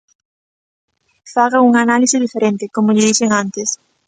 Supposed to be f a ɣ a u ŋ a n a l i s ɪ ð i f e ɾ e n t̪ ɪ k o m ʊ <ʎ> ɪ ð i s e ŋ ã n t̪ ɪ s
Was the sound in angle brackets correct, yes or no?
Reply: yes